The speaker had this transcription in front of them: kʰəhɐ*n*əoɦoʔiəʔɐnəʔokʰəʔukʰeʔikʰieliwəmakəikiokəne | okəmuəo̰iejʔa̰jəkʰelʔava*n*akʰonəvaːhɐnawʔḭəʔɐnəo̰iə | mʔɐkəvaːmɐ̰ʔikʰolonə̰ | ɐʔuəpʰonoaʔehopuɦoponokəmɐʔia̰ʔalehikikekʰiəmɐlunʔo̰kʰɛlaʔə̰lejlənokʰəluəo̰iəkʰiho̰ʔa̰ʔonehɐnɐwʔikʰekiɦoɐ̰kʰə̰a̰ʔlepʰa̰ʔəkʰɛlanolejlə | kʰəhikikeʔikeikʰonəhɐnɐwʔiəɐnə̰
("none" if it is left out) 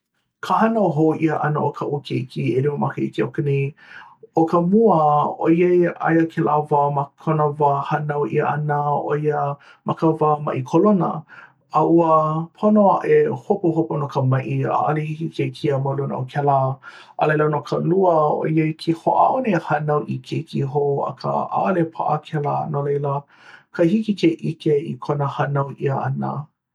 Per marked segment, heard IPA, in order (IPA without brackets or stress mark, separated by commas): n, m